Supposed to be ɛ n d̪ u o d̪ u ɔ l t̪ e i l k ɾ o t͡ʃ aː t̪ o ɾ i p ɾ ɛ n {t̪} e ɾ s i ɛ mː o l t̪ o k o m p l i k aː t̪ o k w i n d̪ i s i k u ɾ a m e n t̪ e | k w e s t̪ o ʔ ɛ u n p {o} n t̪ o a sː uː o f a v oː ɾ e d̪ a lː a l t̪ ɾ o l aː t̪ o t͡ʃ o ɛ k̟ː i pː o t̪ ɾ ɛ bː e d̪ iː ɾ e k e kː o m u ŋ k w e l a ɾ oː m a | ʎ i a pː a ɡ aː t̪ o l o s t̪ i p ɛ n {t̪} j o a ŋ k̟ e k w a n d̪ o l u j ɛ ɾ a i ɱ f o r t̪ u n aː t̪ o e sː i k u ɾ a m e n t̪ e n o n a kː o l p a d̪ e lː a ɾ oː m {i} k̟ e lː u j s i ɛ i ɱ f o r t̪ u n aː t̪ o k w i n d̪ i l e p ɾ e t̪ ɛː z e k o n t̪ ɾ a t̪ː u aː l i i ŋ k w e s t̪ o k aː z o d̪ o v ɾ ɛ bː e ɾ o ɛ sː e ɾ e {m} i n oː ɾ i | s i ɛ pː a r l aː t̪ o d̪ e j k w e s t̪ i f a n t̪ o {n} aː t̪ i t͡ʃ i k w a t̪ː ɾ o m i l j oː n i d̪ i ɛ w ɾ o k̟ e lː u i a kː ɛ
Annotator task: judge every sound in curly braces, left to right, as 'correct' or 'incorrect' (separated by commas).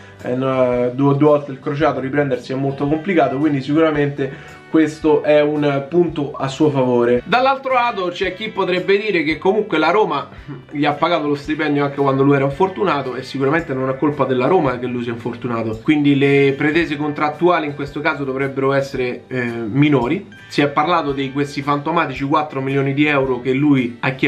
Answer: incorrect, incorrect, incorrect, incorrect, correct, incorrect